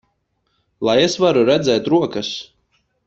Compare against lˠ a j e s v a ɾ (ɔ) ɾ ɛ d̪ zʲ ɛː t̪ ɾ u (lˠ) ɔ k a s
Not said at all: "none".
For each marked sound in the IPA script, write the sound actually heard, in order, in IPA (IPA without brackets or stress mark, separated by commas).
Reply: u, none